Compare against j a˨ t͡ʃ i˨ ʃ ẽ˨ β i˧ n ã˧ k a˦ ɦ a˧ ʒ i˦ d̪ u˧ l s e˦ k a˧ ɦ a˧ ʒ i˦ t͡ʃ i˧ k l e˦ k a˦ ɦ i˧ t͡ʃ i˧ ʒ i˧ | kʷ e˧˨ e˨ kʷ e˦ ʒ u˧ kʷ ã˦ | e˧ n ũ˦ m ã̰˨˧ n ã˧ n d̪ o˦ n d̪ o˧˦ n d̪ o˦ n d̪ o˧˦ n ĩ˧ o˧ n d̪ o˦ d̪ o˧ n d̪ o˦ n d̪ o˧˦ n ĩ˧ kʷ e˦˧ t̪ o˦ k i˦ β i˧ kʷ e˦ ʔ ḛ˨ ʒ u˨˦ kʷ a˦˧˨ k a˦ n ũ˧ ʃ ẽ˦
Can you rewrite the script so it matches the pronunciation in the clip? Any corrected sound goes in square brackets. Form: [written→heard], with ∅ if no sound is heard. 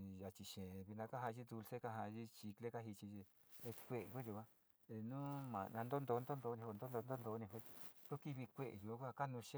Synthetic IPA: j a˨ t͡ʃ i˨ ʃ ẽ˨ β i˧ n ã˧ k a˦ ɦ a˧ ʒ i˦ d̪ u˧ l s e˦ k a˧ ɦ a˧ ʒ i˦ t͡ʃ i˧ k l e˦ k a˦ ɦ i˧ t͡ʃ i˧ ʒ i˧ | kʷ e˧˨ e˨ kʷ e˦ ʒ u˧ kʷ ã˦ | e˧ n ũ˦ m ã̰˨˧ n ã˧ n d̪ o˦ n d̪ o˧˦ n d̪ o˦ n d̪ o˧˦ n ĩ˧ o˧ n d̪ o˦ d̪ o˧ n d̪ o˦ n d̪ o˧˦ n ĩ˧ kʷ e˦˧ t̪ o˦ k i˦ β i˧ kʷ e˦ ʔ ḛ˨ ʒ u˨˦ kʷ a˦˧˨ k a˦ n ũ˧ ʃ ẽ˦